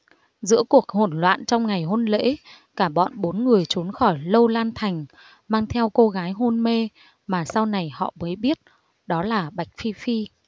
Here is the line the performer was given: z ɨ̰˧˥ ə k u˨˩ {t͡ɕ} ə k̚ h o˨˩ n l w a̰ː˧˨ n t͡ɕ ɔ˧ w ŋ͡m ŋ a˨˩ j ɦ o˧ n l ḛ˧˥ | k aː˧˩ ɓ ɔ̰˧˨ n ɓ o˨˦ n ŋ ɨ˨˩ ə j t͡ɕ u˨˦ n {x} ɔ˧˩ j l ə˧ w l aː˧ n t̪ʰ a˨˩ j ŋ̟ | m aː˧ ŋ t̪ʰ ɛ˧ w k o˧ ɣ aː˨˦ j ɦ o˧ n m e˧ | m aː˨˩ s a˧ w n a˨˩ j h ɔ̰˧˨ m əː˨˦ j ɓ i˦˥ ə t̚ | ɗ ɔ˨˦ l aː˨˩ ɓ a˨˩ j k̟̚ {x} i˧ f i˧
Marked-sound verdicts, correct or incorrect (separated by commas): incorrect, correct, incorrect